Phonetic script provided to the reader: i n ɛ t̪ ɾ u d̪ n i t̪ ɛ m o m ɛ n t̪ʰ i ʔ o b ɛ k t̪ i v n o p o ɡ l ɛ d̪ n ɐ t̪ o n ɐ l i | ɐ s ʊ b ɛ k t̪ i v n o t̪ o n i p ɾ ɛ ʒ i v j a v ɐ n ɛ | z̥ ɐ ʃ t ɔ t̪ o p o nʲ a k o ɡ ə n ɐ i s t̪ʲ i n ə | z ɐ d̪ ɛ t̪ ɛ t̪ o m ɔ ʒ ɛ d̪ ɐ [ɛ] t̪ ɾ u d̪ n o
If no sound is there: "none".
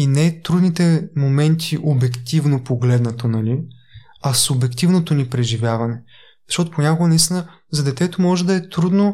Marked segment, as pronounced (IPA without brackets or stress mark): ɛ